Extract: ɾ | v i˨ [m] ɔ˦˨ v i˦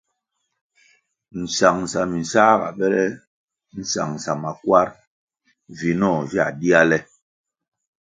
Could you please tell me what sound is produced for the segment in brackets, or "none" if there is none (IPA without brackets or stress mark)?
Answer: n